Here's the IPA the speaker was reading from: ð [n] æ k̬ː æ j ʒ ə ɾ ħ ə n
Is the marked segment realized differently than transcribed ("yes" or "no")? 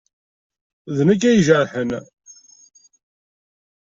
no